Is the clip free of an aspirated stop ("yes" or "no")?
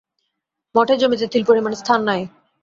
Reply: no